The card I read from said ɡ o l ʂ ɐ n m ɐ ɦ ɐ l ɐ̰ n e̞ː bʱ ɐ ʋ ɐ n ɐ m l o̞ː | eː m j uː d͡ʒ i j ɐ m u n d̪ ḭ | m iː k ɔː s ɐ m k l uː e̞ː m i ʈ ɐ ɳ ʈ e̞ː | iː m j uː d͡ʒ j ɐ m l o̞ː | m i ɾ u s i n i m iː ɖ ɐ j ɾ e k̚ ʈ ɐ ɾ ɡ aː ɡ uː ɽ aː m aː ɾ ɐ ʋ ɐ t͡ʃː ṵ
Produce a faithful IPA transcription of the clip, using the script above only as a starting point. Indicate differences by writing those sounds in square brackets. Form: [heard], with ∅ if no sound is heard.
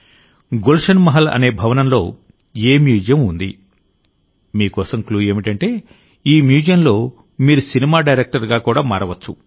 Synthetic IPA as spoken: ɡ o l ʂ ɐ n m ɐ ɦ ɐ l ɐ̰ n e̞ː bʱ ɐ ʋ ɐ n ɐ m l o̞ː | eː m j uː d͡ʒ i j ɐ m u n d̪ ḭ | m iː k ɔː s ɐ m k l uː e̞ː m i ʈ ɐ ɳ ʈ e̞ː | iː m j uː d͡ʒ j ɐ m l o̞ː | m [iː] ɾ u s i n i m [aː] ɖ ɐ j ɾ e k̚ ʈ ɐ ɾ ɡ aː [k] uː ɽ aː m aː ɾ ɐ ʋ ɐ t͡ʃː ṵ